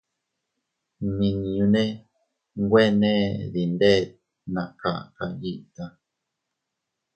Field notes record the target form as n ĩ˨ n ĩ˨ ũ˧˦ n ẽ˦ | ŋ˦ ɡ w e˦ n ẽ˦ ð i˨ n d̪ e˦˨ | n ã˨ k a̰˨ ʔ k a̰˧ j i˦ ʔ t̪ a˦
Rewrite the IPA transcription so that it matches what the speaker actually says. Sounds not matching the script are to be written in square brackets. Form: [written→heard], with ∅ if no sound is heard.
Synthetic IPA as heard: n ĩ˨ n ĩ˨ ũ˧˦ n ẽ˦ | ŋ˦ ɡ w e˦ n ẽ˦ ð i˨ n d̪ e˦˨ | n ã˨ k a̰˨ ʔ k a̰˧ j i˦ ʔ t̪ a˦